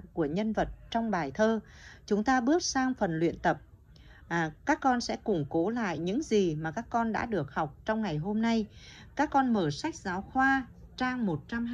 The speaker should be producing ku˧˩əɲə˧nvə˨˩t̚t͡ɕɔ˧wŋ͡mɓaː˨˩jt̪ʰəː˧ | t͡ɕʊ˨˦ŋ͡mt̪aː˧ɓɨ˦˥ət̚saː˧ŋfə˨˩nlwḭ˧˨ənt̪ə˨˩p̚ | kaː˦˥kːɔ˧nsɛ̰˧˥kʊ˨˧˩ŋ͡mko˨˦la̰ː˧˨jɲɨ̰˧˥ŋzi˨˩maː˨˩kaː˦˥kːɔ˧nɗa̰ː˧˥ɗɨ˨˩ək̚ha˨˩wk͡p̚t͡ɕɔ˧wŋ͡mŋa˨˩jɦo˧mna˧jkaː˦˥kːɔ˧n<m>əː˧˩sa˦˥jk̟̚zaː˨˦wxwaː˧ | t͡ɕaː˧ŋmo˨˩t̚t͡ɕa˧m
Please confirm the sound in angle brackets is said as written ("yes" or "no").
yes